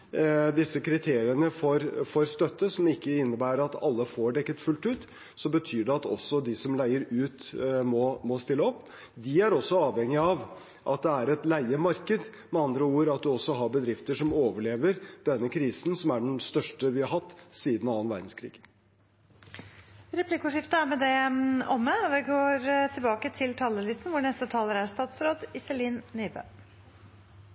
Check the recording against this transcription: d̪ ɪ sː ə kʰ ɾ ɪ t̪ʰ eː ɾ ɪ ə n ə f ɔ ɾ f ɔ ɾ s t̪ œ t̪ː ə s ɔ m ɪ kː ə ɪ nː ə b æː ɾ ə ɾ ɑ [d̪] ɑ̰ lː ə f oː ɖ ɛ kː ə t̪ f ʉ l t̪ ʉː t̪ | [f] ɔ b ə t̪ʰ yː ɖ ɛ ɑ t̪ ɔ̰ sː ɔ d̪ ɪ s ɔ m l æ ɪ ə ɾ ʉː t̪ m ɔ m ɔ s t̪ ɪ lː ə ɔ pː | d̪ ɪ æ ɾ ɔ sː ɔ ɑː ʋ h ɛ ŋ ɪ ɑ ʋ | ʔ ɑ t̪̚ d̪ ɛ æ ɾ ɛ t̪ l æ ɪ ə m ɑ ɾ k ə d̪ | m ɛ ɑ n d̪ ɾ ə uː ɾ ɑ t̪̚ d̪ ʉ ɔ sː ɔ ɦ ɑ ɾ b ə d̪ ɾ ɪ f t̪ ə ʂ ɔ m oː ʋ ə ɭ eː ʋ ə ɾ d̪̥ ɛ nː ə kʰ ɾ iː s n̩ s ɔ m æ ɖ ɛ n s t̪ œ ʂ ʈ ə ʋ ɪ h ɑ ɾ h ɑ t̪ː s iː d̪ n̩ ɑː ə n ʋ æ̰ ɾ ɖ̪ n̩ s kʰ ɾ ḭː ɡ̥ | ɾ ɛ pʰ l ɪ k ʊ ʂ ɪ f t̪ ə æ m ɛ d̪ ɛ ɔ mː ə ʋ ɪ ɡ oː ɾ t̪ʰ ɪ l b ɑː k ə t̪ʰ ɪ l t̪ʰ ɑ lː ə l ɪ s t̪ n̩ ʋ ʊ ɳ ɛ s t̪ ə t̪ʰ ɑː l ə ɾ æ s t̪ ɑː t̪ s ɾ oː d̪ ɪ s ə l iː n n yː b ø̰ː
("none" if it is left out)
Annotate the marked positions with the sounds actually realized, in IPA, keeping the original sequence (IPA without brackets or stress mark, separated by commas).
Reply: t̪, s